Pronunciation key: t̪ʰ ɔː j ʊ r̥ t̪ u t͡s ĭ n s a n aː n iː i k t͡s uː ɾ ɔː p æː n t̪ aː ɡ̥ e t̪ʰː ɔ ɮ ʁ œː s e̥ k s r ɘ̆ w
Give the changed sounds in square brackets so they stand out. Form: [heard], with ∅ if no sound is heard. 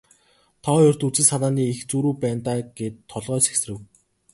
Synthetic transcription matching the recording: t̪ʰ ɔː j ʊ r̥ t̪ u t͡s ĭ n s a n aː n iː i [x] t͡s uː ɾ [uː] p æː n t̪ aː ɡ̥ e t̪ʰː ɔ ɮ ʁ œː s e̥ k s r ɘ̆ w